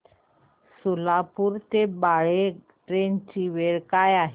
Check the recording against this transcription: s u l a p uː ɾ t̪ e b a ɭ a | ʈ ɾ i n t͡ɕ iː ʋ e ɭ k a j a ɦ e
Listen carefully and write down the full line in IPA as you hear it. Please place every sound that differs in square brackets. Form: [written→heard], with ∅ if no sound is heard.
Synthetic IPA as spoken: s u l a p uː ɾ t̪ e b a ɭ [a→e] | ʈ ɾ [i→e] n t͡ɕ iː ʋ e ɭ k a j a ɦ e